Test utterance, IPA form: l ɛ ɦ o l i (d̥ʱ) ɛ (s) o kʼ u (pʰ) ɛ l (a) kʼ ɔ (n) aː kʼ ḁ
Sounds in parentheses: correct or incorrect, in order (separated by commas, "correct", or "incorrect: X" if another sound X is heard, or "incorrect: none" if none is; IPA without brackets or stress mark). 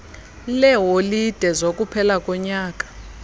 correct, incorrect: z, correct, correct, incorrect: ɲ